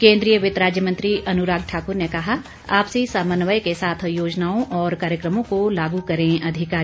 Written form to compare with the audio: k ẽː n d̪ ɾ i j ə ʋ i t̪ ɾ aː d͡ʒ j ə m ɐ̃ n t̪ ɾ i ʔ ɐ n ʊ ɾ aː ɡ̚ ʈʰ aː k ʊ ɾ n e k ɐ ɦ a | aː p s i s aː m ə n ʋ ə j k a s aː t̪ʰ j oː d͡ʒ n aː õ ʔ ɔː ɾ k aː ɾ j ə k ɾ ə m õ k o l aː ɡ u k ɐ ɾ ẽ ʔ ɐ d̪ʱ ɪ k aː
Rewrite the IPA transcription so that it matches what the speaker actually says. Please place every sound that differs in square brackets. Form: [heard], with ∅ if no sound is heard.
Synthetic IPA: k ẽː n d̪ ɾ i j ə ʋ [ɪ] t̪ ɾ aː d͡ʒ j ə m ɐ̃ n t̪ ɾ i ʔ ɐ n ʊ ɾ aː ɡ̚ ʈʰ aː k ʊ ɾ n e k ɐ ɦ a | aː p s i s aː m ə n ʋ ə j k [e] s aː t̪ʰ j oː d͡ʒ n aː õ ʔ ɔː ɾ k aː ɾ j ə k ɾ ə m õ k o l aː ɡ u k ɐ ɾ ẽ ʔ ɐ d̪ʱ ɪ k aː